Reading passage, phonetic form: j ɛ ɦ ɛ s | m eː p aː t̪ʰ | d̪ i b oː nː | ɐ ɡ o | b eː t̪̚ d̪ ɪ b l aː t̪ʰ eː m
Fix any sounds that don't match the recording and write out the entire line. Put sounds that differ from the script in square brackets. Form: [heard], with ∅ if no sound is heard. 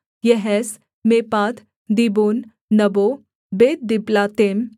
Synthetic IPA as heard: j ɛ ɦ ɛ s | m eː p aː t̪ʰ | d̪ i b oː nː | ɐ [b] o | b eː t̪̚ d̪ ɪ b l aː [t̪] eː m